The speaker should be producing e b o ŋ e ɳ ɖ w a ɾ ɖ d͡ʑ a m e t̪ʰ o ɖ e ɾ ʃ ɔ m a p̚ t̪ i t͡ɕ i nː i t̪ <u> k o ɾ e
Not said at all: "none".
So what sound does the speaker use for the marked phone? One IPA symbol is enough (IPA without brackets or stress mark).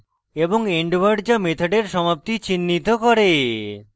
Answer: o